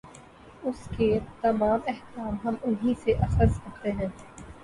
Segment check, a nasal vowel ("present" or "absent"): present